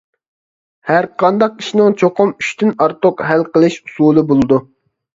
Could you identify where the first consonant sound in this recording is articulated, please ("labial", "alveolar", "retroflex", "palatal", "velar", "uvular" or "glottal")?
glottal